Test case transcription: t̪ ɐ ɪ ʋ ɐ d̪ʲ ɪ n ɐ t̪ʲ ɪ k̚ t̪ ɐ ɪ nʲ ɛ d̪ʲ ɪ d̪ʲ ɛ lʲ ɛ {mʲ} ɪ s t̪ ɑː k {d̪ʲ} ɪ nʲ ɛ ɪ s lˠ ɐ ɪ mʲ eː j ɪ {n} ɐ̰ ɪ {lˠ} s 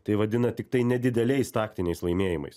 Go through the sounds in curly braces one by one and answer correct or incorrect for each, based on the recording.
incorrect: none, incorrect: t̪ʲ, incorrect: m, incorrect: none

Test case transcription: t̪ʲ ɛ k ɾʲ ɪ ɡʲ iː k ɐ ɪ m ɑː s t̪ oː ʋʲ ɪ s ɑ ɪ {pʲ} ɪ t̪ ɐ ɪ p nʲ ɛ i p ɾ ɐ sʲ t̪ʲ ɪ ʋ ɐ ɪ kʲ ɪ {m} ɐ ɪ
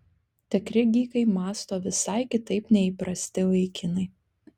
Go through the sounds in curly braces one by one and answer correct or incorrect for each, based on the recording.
incorrect: kʲ, incorrect: n

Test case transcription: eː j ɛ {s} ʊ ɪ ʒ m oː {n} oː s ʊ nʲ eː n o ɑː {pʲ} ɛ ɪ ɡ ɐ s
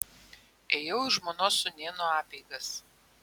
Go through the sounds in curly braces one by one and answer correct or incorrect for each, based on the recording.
incorrect: none, correct, correct

